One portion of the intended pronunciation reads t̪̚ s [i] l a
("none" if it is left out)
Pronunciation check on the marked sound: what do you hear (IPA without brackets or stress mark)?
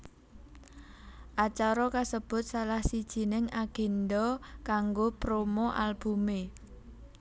a